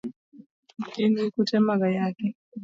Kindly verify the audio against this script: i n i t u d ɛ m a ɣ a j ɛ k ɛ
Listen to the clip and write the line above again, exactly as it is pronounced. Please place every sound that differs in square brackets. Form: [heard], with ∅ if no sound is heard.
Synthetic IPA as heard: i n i [k] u [t] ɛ m a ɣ a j [a] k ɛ